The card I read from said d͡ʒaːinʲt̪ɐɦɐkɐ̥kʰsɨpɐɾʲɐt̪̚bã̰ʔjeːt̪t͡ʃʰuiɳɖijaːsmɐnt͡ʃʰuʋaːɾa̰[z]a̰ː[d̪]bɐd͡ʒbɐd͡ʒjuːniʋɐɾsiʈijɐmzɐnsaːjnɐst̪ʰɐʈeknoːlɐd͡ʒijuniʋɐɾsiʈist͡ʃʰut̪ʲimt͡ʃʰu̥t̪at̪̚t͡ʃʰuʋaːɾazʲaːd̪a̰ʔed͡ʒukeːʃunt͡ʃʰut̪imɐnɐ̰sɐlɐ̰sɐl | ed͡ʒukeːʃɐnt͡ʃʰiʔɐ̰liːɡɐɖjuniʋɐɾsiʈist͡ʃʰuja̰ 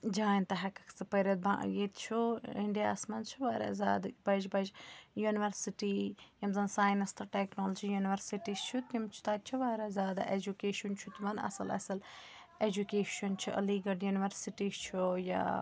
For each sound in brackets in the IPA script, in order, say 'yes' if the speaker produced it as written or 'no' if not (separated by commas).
yes, yes